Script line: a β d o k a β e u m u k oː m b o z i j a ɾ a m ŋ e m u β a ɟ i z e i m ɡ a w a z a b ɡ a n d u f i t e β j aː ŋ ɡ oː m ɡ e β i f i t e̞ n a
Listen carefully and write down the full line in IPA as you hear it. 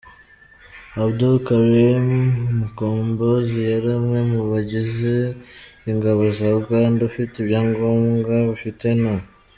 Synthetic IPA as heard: a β d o k a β e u m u k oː m b o z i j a ɾ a m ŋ e m u β a ɟ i z e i ŋ ɡ a β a z a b ɡ a n d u f i t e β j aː ŋ ɡ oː m ɡ a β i f i t e̞ n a